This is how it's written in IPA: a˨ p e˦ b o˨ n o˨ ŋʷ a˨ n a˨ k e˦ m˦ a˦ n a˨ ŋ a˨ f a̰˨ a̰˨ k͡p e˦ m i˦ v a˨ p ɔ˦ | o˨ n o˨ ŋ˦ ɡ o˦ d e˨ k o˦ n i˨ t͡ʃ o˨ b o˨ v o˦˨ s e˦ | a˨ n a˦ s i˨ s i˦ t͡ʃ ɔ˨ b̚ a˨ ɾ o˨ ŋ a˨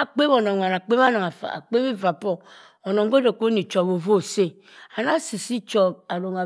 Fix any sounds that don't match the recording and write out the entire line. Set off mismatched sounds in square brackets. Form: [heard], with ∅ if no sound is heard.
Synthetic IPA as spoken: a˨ [k͡p] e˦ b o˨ n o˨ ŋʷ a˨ n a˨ [k͡p] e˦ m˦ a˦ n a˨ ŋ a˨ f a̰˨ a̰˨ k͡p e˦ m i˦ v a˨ p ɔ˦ | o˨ n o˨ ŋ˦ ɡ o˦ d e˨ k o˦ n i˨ t͡ʃ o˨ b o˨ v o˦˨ s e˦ | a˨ n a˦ s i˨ s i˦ t͡ʃ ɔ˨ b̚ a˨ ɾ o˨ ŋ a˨

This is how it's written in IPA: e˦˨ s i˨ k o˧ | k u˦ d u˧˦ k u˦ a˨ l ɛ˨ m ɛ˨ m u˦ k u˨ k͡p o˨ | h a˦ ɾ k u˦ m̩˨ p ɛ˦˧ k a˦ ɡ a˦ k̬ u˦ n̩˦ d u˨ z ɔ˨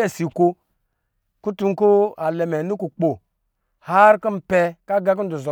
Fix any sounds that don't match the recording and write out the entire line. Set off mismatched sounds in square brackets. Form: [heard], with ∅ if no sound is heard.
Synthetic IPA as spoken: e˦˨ s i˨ k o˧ | k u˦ [t] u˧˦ k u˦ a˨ l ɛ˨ m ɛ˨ [n] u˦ k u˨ k͡p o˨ | h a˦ ɾ k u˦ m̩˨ p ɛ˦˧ k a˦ ɡ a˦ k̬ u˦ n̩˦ d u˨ z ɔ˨

